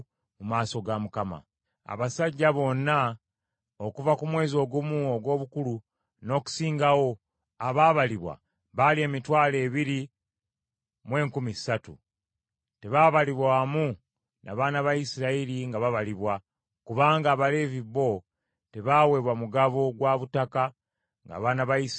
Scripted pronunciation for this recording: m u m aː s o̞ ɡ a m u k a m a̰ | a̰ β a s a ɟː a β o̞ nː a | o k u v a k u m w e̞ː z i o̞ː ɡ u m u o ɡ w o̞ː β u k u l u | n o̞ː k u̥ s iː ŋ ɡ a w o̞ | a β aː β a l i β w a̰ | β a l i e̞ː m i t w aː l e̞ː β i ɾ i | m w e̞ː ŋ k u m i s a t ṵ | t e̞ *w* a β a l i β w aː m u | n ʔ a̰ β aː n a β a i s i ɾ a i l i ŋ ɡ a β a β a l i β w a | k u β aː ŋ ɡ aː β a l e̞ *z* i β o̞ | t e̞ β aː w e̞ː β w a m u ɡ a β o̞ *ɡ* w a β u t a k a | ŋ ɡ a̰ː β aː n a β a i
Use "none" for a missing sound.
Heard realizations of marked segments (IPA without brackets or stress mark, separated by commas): β, v, ɡ